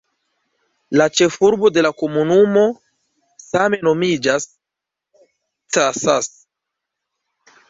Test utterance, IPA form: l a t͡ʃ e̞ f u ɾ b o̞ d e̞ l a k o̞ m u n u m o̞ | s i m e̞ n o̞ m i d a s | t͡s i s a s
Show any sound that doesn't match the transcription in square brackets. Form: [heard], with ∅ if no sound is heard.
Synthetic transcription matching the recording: l a t͡ʃ e̞ f u ɾ b o̞ d e̞ l a k o̞ m u n u m o̞ | s [a] m e̞ n o̞ m i [d͡ʒ] a s | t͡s [a] s a s